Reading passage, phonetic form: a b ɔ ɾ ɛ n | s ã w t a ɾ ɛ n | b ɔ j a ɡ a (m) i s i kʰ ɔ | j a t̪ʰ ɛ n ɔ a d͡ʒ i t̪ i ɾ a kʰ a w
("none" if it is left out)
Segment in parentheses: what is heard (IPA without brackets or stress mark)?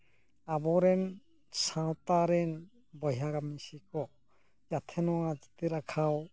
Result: m